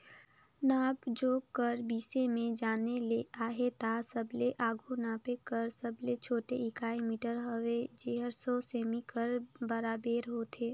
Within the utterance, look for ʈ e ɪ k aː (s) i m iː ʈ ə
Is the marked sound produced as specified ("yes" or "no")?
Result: no